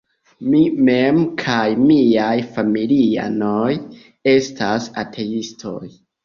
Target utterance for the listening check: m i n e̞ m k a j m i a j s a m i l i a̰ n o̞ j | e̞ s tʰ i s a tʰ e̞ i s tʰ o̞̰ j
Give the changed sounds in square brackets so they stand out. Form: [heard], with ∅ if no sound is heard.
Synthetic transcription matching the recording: m i [m] e̞ m [kʰ] a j m i a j [f] a m i l i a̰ n o̞ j | e̞ s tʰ [a] s a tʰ e̞ i s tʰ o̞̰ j

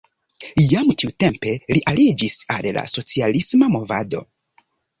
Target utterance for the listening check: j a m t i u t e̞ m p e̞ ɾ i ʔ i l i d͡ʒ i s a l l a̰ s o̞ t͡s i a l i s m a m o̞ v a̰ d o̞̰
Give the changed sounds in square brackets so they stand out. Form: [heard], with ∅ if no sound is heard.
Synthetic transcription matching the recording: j a m t i u t e̞ m p e̞ [l] i ʔ [a] l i d͡ʒ i s a l l a̰ s o̞ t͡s i a l i s m a m o̞ v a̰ d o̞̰

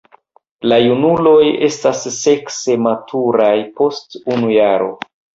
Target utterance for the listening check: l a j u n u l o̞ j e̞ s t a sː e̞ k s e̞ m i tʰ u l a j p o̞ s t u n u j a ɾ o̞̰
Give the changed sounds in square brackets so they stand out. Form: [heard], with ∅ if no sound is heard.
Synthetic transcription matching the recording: l a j u n u l o̞ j e̞ s t a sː e̞ k s e̞ m [a] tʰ u [ɾ] a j p o̞ s t u n u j a ɾ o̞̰

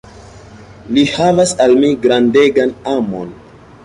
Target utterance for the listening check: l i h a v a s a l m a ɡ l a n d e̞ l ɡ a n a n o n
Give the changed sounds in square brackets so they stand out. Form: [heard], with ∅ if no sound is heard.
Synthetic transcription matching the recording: l i h a v a s a l m [i] ɡ [ɾ] a n d e̞ [∅] ɡ a n a [m] o n

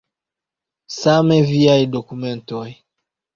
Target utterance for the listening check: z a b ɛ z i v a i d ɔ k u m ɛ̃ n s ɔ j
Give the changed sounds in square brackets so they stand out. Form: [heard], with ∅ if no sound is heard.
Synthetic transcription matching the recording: [s] a [m] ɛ [v] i [∅] a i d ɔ k u m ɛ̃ n [t] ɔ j

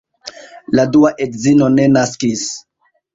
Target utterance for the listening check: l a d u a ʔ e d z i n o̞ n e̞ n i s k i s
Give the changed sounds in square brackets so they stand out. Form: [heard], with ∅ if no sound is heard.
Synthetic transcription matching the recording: l a d u a ʔ e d z i n o̞ n e̞ n [a] s k i s

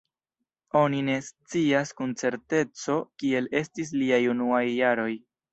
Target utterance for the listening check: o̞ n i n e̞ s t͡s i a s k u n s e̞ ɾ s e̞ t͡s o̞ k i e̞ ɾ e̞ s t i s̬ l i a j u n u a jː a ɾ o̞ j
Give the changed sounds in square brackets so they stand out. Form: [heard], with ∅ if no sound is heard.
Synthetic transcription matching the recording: o̞ n i n e̞ s t͡s i a s k u n [t͡s] e̞ ɾ [t] e̞ t͡s o̞ k i e̞ [l] e̞ s t i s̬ l i a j u n u a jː a ɾ o̞ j

